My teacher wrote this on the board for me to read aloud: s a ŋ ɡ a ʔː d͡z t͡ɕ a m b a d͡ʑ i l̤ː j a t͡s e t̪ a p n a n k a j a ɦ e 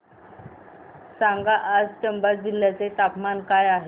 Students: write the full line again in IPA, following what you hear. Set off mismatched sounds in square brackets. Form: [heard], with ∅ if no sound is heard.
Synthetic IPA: s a ŋ ɡ a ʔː d͡z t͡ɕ [ə] m b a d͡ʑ i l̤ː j a t͡s e t̪ a p [m] a n k a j a ɦ e